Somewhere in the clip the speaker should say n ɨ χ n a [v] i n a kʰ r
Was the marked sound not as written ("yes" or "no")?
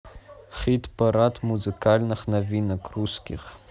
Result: no